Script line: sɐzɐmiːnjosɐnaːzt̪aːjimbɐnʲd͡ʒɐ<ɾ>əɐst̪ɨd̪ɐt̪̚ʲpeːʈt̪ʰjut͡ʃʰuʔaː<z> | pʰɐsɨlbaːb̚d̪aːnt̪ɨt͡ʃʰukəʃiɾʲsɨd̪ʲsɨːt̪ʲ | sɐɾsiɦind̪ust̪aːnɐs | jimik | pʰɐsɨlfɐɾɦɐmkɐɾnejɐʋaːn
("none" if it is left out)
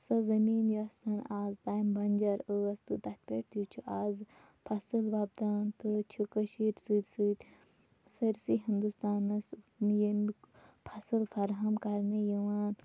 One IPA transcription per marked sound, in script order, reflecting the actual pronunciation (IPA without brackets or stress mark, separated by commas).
ɾ, z